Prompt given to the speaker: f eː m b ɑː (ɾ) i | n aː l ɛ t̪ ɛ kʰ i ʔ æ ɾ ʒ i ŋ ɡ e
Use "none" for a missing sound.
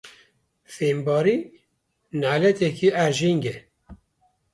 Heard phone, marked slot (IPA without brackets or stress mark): ɾ